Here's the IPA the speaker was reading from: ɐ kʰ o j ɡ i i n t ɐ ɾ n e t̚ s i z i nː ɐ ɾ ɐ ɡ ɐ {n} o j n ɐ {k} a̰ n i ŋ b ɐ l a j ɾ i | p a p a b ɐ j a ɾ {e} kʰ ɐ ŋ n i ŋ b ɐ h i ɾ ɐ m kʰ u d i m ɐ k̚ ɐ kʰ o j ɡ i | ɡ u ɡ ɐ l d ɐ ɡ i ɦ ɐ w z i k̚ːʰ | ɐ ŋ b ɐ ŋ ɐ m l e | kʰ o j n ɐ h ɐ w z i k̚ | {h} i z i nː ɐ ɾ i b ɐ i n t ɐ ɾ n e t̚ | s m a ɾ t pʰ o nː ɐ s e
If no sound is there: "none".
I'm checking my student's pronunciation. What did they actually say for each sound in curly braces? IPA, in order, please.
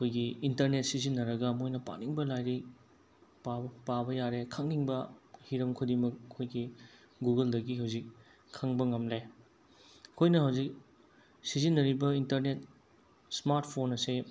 m, p, e, s

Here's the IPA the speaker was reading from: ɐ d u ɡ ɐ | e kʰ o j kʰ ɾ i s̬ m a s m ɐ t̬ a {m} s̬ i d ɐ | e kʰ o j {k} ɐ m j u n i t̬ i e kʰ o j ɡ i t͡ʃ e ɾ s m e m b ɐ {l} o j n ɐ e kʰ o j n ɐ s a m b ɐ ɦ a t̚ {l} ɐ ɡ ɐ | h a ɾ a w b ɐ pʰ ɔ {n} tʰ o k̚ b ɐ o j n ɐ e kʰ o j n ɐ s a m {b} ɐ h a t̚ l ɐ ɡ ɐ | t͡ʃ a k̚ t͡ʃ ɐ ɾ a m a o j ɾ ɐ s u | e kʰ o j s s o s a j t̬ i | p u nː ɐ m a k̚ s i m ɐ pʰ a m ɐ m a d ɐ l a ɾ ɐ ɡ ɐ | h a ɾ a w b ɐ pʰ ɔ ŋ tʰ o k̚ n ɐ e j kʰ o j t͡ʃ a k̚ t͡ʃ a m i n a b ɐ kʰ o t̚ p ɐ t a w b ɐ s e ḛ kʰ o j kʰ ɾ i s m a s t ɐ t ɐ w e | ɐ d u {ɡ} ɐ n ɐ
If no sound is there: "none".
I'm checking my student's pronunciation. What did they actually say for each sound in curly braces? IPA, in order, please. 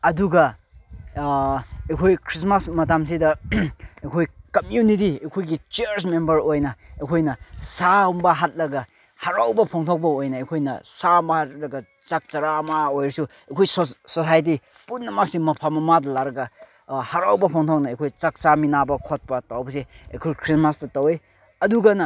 m, k, ɾ, l, ŋ, b, ɡ

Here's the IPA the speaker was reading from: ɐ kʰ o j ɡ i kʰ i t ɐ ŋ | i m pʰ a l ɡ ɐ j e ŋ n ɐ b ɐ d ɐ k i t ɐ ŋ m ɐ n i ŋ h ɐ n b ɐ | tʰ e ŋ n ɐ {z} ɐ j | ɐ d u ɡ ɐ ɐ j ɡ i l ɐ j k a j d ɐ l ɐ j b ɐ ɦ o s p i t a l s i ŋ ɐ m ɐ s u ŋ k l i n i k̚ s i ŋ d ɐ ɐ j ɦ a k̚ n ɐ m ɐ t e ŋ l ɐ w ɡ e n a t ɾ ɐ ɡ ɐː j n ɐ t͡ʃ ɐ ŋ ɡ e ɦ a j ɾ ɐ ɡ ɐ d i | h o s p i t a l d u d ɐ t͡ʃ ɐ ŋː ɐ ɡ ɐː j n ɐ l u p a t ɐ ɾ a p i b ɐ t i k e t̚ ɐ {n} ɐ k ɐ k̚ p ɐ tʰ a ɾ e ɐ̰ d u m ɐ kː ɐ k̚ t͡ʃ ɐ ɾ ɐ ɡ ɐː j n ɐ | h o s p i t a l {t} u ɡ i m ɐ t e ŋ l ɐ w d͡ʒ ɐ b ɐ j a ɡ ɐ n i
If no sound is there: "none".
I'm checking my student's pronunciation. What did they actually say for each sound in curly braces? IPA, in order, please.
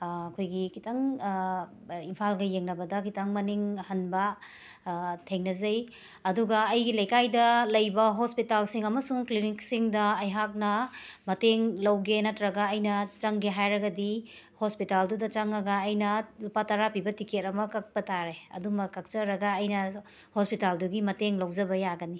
z, m, d

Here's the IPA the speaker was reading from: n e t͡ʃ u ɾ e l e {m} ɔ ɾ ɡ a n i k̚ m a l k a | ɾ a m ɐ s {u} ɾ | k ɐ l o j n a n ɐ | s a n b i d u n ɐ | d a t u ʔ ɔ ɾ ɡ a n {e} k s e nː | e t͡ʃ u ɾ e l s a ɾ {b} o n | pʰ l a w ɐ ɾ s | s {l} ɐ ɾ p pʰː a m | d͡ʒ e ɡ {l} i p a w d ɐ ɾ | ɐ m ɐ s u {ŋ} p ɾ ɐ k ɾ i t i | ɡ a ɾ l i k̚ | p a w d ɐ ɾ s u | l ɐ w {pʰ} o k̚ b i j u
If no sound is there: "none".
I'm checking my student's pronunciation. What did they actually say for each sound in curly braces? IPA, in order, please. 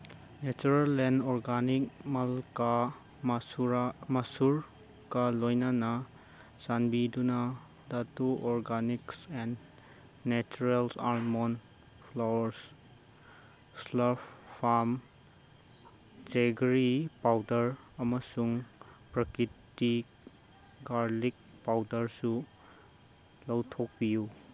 n, u, i, m, l, ɾ, ŋ, tʰ

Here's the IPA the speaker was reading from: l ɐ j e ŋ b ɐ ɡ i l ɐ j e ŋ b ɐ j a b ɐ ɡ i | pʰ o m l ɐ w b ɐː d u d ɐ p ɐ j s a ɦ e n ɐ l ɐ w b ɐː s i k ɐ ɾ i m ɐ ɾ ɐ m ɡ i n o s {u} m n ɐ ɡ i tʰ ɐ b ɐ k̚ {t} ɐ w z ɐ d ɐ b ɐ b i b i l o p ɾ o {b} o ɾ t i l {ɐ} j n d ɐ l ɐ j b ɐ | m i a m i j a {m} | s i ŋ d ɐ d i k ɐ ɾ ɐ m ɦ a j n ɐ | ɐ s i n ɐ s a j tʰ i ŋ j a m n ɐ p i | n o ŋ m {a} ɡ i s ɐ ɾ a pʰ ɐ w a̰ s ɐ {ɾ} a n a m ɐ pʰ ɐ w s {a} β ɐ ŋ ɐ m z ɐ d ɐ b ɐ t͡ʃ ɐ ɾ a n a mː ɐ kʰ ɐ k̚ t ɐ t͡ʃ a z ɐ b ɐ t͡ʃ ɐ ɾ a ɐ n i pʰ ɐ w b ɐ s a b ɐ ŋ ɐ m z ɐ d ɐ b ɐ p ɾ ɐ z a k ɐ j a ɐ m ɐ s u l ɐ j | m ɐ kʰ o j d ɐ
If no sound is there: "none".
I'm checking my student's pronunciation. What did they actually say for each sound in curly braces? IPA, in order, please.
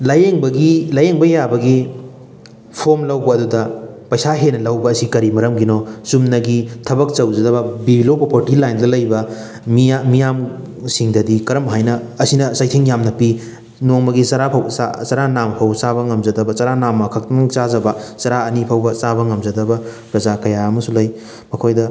u, t͡ʃ, p, a, m, ɐ, ɾ, a

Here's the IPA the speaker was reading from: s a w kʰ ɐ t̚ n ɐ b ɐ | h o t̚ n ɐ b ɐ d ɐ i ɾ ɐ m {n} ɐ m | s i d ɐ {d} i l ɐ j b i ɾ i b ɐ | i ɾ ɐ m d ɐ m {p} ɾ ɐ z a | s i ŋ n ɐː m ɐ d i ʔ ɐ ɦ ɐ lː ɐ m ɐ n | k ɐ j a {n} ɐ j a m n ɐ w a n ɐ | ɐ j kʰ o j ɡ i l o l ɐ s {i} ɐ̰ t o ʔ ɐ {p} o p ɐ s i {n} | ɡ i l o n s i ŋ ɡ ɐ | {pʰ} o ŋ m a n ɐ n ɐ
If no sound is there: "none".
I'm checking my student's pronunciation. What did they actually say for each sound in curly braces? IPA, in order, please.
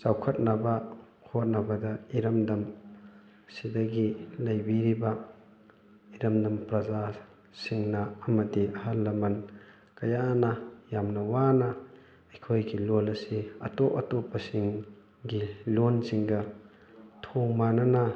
d, ɡ, p, n, i, t, ŋ, tʰ

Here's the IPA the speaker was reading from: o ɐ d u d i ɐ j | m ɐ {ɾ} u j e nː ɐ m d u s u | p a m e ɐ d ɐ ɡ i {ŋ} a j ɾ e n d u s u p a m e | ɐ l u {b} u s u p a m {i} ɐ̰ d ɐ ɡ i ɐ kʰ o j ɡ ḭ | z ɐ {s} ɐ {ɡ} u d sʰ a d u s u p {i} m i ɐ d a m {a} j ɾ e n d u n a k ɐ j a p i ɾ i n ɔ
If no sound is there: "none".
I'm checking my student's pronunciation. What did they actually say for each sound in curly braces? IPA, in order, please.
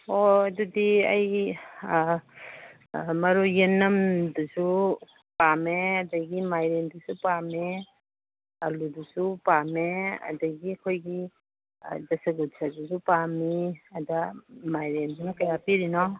ɾ, m, d, e, s, ɡ, a, a

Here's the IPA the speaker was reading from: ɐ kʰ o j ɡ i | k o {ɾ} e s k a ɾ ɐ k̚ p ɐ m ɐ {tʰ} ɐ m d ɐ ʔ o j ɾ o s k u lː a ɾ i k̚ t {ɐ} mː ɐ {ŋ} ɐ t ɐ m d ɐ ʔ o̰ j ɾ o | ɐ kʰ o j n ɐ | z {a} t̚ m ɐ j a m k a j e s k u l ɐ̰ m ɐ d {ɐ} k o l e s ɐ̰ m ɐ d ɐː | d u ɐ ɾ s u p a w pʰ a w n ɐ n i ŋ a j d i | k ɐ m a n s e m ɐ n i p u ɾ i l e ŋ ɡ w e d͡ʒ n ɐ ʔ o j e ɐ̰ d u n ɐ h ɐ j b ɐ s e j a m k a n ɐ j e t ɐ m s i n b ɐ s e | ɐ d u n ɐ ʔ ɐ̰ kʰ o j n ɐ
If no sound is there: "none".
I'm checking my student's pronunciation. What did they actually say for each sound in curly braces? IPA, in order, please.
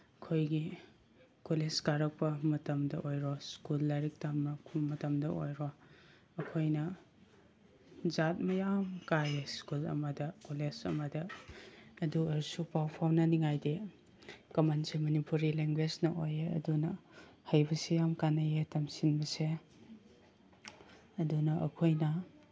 l, t, a, m, a, ɐ

